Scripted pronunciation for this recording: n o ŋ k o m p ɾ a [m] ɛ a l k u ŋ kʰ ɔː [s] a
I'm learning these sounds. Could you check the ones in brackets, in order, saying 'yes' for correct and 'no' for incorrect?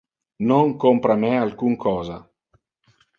yes, no

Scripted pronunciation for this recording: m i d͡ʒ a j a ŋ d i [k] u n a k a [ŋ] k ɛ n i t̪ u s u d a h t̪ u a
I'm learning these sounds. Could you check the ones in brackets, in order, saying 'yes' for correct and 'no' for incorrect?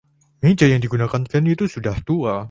no, no

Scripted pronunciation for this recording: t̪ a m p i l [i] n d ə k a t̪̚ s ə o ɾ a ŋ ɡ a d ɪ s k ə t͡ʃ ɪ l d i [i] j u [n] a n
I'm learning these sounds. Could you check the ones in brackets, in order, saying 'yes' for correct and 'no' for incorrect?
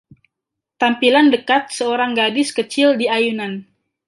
no, no, yes

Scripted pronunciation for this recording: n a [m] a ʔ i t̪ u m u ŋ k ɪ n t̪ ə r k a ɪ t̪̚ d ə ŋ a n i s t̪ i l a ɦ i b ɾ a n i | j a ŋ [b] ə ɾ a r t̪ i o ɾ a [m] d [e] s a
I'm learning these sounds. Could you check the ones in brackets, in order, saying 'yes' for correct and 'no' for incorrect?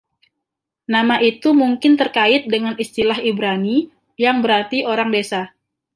yes, yes, no, yes

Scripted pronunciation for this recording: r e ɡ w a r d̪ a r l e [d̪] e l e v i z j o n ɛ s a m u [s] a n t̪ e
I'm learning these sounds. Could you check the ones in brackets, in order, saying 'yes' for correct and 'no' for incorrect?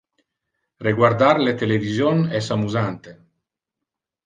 no, no

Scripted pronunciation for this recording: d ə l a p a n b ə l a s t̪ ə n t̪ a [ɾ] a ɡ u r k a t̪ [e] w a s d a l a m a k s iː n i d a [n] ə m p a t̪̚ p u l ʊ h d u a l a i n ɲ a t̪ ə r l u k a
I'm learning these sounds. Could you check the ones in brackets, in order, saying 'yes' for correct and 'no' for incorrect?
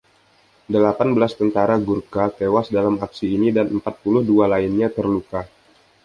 yes, yes, yes

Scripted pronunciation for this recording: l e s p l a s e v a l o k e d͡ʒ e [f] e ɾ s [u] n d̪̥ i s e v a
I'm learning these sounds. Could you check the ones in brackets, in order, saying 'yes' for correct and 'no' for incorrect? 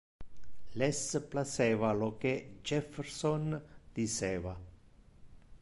yes, no

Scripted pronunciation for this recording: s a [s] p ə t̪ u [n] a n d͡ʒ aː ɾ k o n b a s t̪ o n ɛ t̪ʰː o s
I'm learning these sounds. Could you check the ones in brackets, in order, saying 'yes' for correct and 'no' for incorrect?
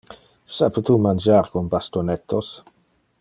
no, no

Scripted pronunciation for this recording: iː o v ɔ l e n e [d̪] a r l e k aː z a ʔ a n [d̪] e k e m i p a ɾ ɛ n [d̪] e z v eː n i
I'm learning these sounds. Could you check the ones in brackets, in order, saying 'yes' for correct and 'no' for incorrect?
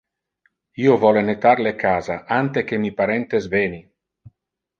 no, no, no

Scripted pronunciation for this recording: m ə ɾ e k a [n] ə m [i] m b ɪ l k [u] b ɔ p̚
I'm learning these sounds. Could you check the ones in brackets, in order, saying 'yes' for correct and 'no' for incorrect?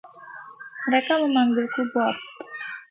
no, no, yes

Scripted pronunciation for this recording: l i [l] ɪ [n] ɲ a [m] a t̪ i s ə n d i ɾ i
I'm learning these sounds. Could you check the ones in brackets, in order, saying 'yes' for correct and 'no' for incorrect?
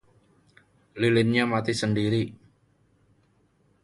yes, yes, yes

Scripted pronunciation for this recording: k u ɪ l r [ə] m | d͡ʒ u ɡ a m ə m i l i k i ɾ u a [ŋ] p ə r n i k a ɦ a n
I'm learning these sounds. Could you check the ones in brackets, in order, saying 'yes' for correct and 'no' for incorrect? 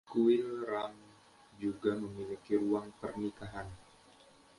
no, yes

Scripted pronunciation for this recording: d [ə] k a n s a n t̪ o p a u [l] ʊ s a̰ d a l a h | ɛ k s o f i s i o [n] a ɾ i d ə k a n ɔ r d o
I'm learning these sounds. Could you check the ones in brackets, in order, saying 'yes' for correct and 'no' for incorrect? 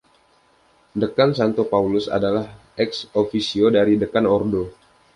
yes, yes, no

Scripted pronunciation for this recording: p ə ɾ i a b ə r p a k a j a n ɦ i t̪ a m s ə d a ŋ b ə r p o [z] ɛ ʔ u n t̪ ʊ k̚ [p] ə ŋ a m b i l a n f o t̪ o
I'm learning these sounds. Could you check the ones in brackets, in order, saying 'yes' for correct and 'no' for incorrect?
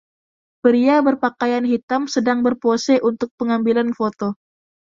no, yes

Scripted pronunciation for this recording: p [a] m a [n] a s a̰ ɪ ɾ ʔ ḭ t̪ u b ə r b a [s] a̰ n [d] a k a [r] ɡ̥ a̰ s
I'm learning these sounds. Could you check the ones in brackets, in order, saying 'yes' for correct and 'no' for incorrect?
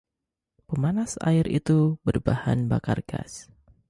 no, yes, no, no, yes

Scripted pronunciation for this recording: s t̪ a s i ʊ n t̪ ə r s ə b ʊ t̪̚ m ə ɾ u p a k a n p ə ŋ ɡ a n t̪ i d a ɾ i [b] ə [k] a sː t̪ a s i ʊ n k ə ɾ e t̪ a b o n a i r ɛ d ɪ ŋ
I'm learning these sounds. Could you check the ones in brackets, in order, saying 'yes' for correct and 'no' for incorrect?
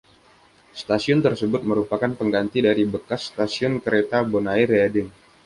yes, yes

